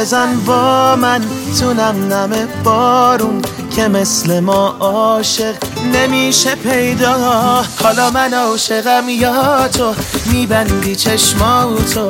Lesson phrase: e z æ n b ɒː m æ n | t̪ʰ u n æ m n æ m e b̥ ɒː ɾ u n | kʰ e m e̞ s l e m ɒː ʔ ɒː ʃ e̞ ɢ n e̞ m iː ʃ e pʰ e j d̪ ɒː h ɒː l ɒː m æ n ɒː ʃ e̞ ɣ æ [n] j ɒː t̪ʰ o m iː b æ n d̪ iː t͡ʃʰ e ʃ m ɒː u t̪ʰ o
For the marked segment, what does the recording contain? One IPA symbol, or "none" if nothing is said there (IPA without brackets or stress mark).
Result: m